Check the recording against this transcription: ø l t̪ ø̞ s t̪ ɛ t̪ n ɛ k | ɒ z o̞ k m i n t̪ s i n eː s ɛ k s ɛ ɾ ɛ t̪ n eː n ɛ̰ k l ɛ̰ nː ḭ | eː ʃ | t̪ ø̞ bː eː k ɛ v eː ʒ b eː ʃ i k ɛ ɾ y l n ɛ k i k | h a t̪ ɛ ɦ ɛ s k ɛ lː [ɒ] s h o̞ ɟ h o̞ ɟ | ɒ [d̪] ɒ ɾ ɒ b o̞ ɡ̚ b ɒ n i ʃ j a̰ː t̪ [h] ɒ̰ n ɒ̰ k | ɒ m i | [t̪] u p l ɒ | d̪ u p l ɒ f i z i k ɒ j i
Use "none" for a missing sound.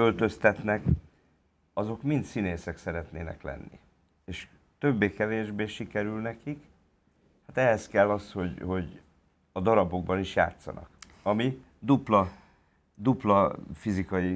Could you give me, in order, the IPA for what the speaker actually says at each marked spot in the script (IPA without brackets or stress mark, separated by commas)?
ɒ, d̪, s, d̪